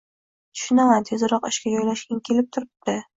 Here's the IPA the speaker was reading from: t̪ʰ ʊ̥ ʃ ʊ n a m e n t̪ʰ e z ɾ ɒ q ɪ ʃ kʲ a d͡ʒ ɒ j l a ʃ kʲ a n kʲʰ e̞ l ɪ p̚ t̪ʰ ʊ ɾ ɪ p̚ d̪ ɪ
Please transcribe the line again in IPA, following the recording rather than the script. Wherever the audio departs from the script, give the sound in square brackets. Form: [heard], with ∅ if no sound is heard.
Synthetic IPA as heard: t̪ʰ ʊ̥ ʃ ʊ n a m [a] n t̪ʰ e z ɾ ɒ q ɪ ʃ kʲ a d͡ʒ ɒ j l a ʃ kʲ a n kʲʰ e̞ l ɪ p̚ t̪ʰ ʊ ɾ ɪ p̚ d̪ ɪ